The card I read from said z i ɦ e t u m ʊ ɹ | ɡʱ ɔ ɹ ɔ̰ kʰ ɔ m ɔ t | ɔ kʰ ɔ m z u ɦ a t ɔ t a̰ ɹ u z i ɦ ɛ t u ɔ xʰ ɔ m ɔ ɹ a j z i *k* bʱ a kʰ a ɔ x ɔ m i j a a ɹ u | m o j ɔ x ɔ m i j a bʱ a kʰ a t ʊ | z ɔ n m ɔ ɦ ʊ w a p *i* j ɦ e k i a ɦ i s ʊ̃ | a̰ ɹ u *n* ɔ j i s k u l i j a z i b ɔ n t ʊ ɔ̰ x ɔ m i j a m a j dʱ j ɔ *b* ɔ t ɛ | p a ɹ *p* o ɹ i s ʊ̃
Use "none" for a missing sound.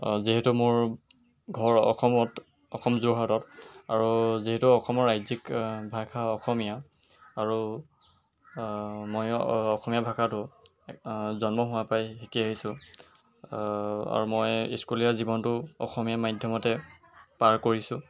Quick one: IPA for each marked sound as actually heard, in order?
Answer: k, a, m, m, k

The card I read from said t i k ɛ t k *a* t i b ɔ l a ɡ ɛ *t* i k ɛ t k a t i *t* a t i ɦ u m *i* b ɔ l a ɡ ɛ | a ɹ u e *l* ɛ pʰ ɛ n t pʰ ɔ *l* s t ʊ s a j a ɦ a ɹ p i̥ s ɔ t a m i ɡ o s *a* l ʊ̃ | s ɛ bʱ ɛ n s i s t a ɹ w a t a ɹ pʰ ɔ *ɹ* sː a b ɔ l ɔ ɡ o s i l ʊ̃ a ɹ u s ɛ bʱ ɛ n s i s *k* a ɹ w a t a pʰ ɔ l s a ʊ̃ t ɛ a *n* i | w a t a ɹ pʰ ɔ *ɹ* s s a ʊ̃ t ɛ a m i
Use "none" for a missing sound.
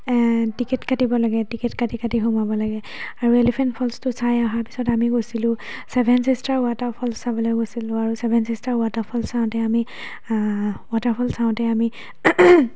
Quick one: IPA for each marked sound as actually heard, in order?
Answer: a, t, k, a, l, l, i, l, t, m, l

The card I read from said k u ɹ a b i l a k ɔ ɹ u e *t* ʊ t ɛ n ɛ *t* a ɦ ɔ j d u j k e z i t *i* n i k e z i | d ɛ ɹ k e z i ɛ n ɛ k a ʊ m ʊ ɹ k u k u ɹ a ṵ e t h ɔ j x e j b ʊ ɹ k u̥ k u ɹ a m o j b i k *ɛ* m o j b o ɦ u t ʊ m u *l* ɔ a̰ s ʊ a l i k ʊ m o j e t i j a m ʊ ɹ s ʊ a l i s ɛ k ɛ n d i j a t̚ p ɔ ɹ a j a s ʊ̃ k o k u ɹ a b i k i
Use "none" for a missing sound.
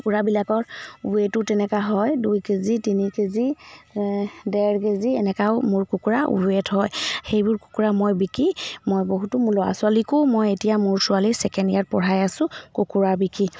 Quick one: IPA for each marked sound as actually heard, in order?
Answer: t, k, i, i, l

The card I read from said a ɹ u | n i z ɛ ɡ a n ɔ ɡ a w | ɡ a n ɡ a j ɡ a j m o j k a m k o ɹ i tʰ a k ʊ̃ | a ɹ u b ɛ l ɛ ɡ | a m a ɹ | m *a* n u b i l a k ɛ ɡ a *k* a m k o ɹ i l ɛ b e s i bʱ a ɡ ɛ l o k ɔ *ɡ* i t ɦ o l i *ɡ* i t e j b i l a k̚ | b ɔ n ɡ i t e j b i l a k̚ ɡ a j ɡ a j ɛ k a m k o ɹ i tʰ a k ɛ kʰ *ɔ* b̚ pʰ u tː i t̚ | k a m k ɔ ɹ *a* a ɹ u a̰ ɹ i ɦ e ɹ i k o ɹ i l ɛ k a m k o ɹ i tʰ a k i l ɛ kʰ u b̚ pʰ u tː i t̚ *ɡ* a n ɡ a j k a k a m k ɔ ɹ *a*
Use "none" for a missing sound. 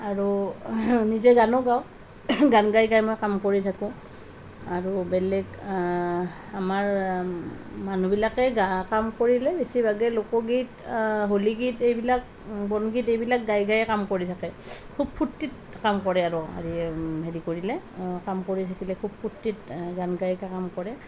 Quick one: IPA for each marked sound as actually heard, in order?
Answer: a, k, ɡ, ɡ, u, ɛ, ɡ, ɛ

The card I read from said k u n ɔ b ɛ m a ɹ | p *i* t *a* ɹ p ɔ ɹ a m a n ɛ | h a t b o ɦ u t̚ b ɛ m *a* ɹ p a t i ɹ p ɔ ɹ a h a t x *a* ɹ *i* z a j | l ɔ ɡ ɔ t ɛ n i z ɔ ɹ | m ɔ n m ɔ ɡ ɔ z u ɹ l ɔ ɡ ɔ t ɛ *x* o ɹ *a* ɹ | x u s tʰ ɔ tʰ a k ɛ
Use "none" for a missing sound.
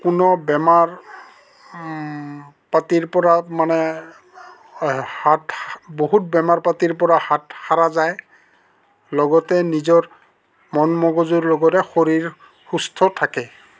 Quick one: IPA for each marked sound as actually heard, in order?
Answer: a, i, a, a, a, x, i

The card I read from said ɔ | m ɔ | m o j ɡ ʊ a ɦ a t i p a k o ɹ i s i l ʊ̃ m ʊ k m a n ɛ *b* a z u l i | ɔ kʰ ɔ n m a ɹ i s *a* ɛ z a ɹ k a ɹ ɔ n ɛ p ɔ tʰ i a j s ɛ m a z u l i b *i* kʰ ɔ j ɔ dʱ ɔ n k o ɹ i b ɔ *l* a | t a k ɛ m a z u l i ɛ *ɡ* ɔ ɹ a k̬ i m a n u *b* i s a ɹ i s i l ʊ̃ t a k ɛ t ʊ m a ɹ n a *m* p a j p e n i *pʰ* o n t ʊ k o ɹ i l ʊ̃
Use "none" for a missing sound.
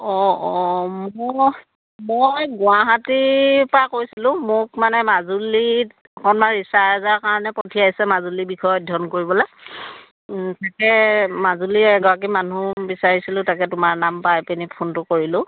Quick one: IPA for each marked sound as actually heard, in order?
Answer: m, a, i, l, ɡ, b, m, pʰ

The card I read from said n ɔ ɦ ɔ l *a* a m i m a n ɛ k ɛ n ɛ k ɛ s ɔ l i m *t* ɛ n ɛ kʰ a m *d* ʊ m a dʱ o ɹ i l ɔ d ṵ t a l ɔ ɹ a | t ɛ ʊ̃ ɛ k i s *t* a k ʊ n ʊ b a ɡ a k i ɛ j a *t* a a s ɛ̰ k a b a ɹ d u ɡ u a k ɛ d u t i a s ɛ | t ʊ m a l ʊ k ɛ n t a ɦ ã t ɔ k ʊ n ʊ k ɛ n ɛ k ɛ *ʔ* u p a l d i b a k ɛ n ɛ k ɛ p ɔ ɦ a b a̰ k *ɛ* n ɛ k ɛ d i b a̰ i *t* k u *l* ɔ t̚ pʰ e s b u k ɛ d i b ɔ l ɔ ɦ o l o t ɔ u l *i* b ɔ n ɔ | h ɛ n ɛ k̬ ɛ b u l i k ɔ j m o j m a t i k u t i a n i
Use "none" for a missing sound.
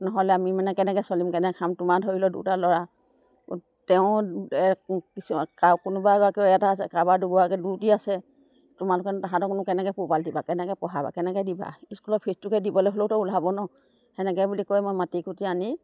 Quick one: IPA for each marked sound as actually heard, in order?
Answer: ɛ, k, t, k, t, p, ɛ, s, l, a

